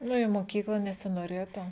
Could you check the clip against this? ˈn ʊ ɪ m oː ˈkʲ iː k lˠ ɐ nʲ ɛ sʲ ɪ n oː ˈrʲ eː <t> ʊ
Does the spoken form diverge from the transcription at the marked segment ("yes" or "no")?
no